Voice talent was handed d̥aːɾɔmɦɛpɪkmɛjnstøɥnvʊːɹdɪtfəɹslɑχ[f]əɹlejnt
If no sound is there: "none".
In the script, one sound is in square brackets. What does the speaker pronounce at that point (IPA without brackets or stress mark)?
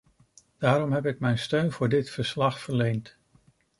f